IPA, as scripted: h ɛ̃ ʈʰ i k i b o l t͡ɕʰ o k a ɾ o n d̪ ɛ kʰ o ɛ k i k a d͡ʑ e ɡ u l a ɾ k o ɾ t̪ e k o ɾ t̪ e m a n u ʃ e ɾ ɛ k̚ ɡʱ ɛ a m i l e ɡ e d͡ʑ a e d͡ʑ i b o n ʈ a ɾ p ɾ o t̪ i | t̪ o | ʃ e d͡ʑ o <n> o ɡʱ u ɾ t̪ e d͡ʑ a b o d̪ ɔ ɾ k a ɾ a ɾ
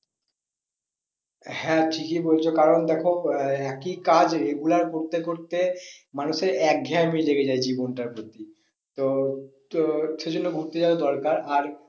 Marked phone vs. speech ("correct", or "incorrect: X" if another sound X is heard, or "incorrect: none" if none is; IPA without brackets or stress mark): incorrect: nː